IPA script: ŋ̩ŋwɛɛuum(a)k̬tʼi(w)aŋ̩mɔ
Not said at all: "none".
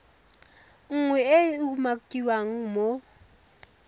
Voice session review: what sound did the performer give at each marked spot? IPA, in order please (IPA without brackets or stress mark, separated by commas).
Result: a, w